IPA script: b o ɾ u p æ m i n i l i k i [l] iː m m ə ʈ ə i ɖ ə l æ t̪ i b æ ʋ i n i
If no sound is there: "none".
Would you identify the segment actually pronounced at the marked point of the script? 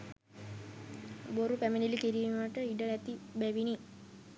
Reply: ɾ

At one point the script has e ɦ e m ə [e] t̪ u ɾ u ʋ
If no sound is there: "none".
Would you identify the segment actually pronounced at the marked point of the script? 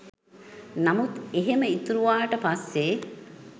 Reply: i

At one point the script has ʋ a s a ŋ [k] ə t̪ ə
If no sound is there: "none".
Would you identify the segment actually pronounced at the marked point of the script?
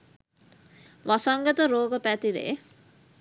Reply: ɡ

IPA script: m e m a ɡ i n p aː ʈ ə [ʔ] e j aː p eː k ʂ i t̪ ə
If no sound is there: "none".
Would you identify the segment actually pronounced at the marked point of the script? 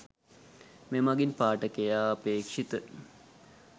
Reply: k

